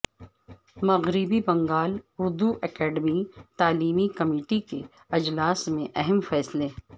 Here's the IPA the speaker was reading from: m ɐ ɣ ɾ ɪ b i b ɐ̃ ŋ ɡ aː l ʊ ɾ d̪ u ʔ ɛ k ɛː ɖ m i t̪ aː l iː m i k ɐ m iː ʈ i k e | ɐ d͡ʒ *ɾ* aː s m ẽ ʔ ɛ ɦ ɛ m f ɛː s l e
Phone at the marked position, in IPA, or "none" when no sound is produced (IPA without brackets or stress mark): l